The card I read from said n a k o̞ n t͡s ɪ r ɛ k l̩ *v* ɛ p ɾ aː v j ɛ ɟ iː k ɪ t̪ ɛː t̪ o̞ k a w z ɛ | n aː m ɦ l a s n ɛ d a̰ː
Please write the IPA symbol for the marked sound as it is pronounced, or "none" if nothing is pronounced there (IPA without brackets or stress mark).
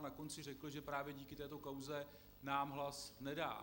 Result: ʒ